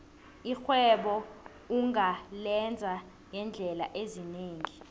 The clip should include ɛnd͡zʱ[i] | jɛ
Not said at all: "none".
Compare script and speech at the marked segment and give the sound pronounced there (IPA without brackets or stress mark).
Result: a